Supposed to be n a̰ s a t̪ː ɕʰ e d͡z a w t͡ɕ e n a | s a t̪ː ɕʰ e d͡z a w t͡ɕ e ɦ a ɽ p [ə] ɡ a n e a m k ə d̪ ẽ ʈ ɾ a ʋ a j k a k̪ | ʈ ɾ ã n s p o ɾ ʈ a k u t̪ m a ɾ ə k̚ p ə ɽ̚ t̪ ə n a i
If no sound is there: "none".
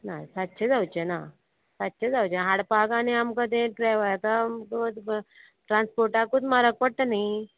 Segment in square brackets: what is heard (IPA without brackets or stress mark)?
a